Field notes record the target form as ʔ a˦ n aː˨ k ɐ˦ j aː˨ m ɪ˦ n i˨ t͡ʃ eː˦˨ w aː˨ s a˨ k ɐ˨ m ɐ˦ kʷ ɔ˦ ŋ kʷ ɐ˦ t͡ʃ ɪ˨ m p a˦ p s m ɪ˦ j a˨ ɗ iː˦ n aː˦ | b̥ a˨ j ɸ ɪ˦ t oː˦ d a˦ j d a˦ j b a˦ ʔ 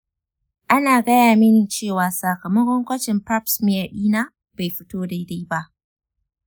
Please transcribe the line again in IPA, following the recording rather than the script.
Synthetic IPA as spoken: ʔ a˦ n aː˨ ɡ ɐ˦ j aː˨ m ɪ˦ n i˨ t͡ʃ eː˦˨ w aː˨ s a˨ k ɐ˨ m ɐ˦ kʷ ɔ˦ ŋ kʷ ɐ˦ t͡ʃ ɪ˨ m p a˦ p s m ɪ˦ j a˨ ɗ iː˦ n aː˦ | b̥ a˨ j ɸ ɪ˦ t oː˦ d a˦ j d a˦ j b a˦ ʔ